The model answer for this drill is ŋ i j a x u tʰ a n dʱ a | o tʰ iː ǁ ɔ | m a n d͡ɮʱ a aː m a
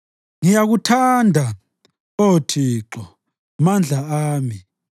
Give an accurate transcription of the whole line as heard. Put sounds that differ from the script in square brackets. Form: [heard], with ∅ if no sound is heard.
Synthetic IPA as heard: ŋ i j a [ɣ] u tʰ a n dʱ a | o tʰ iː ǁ ɔ | m a n d͡ɮʱ a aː m [i]